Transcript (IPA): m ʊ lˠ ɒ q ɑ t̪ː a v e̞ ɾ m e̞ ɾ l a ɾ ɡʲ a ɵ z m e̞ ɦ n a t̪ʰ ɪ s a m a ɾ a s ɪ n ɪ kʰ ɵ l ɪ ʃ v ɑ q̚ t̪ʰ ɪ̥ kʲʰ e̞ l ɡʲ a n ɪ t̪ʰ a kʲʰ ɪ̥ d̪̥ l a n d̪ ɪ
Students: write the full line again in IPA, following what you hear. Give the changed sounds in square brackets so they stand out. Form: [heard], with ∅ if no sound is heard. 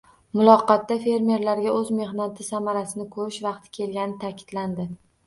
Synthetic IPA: m ʊ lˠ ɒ q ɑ t̪ː a [f] e̞ ɾ m e̞ ɾ l a ɾ ɡʲ a ɵ z m e̞ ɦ n a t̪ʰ ɪ s a m a ɾ a s ɪ n ɪ kʰ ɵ [ɾ] ɪ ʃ v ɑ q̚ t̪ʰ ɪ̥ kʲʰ e̞ l ɡʲ a n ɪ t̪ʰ a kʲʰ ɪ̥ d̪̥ l a n d̪ ɪ